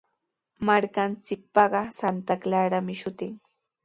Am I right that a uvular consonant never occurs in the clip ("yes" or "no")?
no